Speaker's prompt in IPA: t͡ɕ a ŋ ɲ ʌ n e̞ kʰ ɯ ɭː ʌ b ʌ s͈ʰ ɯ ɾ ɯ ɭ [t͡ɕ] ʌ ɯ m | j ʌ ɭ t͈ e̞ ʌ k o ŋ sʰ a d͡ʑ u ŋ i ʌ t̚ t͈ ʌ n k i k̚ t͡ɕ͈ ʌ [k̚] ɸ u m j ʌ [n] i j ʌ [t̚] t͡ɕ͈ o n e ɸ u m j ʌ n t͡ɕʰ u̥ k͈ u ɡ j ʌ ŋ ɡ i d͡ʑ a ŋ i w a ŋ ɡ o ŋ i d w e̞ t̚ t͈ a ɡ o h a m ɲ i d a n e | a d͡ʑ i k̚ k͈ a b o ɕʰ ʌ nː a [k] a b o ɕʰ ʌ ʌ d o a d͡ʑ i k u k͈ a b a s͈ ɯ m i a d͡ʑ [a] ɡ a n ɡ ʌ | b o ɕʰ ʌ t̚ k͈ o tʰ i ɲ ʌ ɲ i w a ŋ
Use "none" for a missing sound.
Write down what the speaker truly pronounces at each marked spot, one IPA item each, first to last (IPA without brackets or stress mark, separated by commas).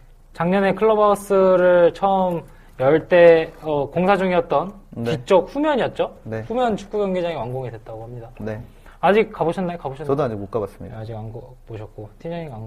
t͡ɕʰ, k̚, ɲ, t̚, k, i